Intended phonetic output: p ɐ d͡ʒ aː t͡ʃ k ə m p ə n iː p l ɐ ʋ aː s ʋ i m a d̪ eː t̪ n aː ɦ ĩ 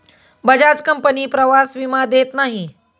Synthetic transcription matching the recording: b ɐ d͡ʒ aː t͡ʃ k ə m p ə n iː p ɾ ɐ ʋ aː s ʋ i m a d̪ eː t̪ n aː ɦ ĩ